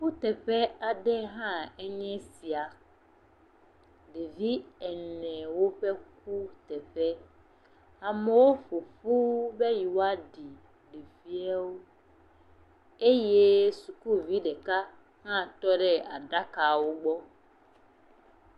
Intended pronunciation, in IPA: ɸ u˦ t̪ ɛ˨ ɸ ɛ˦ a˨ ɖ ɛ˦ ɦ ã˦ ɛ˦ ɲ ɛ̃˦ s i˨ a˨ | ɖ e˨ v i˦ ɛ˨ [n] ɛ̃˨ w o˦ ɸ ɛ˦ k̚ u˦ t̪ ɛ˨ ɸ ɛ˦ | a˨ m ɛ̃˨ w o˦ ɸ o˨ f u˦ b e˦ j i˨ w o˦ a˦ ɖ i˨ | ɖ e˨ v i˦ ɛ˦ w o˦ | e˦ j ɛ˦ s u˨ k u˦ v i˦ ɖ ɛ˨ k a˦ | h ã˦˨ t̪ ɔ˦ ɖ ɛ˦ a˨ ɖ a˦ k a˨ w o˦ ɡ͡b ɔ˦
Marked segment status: correct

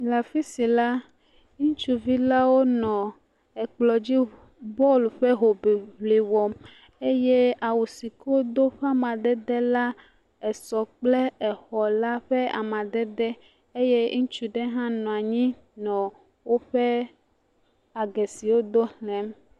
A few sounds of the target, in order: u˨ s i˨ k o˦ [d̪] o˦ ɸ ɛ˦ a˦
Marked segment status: correct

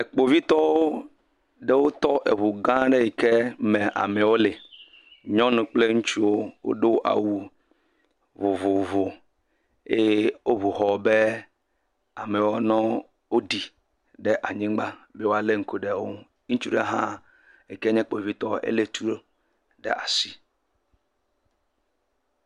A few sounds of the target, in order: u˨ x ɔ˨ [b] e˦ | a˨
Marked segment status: correct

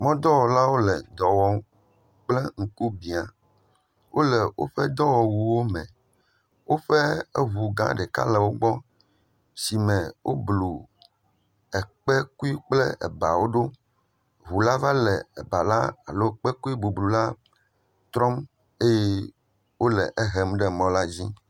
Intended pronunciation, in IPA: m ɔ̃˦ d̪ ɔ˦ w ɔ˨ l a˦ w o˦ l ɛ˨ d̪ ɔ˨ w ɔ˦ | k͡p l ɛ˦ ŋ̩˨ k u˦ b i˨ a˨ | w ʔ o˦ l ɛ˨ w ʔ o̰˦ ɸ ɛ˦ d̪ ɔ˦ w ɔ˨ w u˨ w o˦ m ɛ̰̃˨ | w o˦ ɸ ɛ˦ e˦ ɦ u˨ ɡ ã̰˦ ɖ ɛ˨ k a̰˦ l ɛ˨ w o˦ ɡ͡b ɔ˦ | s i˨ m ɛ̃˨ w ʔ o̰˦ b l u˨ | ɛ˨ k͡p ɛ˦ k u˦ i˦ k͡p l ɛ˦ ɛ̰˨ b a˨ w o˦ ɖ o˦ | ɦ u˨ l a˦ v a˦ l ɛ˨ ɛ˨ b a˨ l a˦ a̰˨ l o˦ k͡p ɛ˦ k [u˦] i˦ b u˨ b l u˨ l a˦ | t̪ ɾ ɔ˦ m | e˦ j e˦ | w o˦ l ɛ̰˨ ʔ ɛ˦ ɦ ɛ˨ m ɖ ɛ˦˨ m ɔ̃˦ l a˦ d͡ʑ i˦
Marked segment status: correct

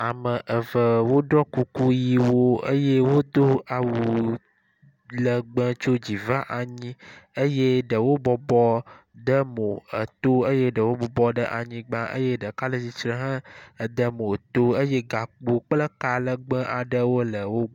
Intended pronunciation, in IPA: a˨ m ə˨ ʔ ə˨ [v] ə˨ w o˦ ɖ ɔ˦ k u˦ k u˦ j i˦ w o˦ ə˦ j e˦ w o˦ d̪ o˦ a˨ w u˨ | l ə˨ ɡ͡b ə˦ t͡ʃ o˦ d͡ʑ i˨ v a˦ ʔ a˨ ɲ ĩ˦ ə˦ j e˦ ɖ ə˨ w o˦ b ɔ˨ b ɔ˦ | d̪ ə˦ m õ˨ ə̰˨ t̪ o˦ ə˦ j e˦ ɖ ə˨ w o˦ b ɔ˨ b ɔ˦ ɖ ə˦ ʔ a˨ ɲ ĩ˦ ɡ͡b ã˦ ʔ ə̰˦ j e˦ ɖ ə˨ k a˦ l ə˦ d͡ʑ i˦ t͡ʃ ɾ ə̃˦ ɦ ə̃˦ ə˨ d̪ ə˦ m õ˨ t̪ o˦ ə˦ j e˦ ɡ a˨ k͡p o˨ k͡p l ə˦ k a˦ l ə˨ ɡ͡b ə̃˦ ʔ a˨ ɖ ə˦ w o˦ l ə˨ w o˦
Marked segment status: correct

